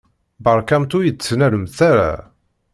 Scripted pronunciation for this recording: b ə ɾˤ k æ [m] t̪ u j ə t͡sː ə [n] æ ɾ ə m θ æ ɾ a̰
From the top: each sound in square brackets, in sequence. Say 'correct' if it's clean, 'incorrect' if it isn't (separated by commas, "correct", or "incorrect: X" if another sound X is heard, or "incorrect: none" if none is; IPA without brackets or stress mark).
correct, correct